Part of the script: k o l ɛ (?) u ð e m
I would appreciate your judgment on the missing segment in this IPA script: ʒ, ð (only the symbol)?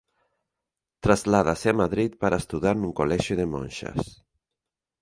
ʒ